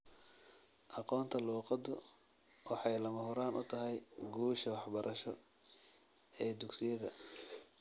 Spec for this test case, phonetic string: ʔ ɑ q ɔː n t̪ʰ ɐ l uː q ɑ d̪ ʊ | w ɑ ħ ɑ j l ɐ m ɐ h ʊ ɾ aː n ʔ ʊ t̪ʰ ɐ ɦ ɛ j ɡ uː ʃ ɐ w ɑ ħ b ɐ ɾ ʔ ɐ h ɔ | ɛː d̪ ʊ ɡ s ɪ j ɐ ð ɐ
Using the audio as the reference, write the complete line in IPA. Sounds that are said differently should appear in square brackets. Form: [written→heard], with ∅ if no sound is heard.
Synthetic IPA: ʔ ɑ q ɔː n t̪ʰ ɐ l uː q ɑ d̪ ʊ | w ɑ ħ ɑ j l ɐ m ɐ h ʊ ɾ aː n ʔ ʊ t̪ʰ ɐ ɦ ɛ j ɡ uː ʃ ɐ w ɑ ħ b ɐ ɾ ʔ ɐ [h→ʃ] ɔ | ɛː d̪ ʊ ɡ s ɪ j ɐ ð ɐ